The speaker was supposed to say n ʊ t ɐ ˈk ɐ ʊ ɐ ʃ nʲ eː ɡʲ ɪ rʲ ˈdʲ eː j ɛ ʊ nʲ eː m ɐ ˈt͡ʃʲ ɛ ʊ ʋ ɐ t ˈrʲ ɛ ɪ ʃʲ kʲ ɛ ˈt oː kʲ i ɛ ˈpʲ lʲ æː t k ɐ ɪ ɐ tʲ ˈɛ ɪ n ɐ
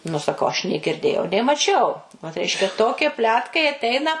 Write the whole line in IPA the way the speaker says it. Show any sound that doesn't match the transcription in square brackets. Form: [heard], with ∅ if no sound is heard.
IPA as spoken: n ʊ [s] ɐ ˈk ɐ ʊ ɐ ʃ nʲ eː ɡʲ ɪ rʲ ˈdʲ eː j ɛ ʊ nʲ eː m ɐ ˈt͡ʃʲ ɛ ʊ ʋ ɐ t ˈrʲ ɛ ɪ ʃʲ kʲ ɛ ˈt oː kʲ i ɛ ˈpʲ lʲ æː t k ɐ ɪ ɐ tʲ ˈɛ ɪ n ɐ